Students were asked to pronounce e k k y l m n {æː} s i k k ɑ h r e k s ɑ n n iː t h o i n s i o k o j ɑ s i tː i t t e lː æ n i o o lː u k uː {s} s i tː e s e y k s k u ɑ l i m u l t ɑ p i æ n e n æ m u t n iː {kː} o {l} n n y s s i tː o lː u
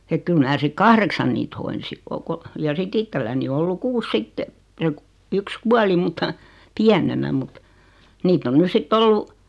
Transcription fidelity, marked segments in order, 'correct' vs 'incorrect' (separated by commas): correct, correct, incorrect, incorrect